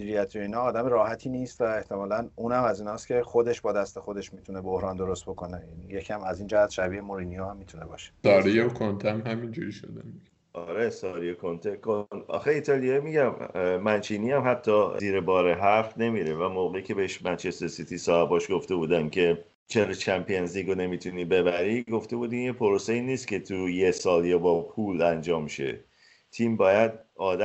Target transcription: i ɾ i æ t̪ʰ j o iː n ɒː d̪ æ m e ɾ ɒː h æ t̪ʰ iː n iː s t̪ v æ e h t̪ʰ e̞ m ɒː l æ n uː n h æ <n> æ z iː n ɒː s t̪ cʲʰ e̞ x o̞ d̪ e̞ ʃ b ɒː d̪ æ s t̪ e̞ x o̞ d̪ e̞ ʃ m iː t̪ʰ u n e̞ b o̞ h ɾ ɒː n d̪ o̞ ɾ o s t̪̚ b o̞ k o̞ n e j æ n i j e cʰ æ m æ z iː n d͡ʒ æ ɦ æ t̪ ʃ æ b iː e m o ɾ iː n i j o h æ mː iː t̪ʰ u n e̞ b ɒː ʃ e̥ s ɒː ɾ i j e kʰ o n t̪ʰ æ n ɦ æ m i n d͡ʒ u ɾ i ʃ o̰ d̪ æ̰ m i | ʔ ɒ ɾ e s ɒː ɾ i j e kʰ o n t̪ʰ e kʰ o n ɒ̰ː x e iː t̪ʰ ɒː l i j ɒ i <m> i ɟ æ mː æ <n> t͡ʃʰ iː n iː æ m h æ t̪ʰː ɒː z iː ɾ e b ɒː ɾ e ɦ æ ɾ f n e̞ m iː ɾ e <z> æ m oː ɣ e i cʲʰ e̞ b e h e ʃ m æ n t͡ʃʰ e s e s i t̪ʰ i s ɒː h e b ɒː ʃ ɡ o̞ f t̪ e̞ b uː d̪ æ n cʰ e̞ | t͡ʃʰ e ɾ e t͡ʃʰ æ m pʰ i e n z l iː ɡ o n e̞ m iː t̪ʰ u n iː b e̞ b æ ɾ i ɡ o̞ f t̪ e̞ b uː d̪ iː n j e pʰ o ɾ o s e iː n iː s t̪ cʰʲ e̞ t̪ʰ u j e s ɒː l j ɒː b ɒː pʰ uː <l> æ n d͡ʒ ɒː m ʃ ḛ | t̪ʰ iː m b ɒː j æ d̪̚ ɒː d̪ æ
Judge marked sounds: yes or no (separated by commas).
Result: no, yes, yes, no, yes